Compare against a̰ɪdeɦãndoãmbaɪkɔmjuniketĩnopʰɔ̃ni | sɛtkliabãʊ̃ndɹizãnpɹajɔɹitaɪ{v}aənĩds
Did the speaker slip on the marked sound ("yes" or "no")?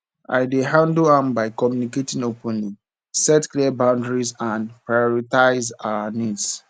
yes